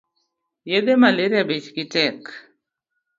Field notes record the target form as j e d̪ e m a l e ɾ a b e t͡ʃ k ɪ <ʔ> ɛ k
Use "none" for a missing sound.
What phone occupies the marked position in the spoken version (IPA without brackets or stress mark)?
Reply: t